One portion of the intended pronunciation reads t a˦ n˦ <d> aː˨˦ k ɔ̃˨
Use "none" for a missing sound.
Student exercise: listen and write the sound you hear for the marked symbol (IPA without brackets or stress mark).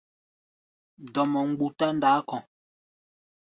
d